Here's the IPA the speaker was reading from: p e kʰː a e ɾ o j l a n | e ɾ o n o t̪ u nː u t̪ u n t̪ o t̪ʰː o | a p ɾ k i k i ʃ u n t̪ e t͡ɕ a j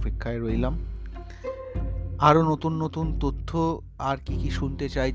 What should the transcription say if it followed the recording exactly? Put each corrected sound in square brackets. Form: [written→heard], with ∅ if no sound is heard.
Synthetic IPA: p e kʰː a e ɾ o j l a [n→m] | [e→a] ɾ o n o t̪ u nː [u→o] t̪ u n t̪ o t̪ʰː o | a [p→∅] ɾ k i k i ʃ u n t̪ e t͡ɕ a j